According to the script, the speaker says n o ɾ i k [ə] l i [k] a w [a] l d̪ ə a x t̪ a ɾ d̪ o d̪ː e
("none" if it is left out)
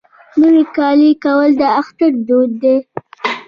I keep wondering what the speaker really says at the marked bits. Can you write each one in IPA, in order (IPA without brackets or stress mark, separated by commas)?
ɑ, k, ə